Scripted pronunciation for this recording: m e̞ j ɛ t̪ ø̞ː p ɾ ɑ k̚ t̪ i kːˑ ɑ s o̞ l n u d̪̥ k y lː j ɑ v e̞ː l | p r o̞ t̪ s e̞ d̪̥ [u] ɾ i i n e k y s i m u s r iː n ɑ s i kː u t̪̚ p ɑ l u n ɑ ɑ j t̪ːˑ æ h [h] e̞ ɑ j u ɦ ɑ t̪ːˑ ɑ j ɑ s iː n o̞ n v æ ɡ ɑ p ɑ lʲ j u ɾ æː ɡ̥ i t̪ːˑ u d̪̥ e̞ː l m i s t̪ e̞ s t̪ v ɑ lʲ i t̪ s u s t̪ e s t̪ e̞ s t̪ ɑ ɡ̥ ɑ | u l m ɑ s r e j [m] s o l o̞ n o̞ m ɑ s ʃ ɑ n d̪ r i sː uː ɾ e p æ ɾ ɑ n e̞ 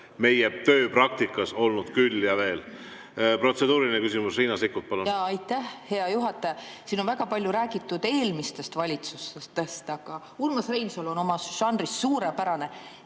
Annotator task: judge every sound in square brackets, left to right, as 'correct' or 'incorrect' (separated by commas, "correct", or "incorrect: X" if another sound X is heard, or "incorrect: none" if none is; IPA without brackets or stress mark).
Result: incorrect: uː, correct, incorrect: n